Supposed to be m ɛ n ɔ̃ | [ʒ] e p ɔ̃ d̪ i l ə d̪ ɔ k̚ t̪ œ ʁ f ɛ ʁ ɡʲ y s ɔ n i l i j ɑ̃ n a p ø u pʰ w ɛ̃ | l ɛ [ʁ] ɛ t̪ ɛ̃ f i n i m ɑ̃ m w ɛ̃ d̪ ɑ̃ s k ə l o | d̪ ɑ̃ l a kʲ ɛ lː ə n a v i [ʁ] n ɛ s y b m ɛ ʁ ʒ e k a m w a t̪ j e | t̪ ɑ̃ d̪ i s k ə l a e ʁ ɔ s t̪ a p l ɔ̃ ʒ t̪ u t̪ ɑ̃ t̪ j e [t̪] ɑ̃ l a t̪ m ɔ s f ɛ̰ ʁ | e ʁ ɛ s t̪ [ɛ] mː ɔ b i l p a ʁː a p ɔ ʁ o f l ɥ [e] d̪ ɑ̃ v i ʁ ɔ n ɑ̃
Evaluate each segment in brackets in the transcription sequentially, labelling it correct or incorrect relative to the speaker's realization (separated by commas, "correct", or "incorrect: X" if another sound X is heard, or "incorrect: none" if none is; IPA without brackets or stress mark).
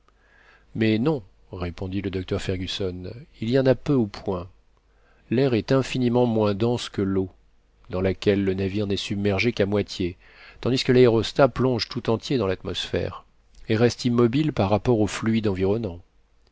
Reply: incorrect: ʁ, correct, correct, incorrect: d̪, incorrect: i, incorrect: i